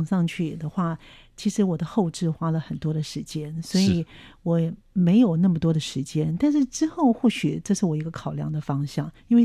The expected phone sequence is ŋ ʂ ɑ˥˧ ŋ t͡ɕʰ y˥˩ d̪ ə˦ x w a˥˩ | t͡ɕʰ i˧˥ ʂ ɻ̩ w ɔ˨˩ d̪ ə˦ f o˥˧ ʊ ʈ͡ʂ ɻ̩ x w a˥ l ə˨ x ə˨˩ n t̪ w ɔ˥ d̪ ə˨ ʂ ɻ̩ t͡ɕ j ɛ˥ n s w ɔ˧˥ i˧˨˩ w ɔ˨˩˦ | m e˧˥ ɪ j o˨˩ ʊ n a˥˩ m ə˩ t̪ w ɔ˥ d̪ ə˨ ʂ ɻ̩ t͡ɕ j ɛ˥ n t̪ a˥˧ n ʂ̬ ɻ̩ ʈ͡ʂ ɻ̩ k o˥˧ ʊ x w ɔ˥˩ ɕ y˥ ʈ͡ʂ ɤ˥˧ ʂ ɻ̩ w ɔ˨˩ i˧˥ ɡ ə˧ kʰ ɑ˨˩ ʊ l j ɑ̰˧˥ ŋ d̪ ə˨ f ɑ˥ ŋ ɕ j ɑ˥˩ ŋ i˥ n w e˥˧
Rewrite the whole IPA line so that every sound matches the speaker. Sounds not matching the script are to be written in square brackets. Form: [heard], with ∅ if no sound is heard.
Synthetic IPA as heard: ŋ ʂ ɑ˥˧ ŋ t͡ɕʰ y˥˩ d̪ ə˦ x w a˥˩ | t͡ɕʰ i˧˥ ʂ ɻ̩ w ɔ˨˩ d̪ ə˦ [x] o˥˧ ʊ ʈ͡ʂ ɻ̩ x w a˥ l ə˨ x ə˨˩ n t̪ w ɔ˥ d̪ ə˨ ʂ ɻ̩ t͡ɕ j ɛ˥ n s w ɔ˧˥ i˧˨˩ w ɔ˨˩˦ | m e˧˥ ɪ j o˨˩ ʊ n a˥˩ m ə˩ t̪ w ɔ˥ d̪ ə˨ ʂ ɻ̩ t͡ɕ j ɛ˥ n t̪ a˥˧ n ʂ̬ ɻ̩ ʈ͡ʂ ɻ̩ [x] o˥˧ ʊ x w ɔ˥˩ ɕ [y˨˩] ʈ͡ʂ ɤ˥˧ ʂ ɻ̩ w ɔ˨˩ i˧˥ ɡ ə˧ kʰ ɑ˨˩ ʊ l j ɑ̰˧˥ ŋ d̪ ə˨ f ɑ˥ ŋ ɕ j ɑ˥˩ ŋ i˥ n w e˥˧